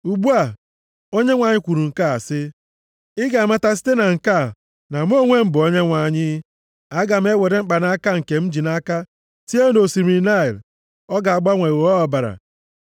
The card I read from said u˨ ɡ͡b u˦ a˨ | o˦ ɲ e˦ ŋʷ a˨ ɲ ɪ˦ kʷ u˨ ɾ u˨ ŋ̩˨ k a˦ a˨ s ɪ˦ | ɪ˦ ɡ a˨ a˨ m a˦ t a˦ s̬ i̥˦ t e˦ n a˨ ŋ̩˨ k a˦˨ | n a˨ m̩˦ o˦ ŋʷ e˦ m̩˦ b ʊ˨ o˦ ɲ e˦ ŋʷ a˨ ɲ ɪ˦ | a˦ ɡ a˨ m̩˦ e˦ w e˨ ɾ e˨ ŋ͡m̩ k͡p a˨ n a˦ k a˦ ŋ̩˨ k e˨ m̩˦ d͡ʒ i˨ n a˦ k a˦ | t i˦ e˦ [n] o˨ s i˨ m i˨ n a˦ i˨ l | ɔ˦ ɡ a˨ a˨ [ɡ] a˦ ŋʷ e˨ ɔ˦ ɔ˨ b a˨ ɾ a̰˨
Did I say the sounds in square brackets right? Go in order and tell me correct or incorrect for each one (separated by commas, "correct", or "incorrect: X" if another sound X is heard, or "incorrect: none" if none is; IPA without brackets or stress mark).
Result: correct, incorrect: ɡ͡b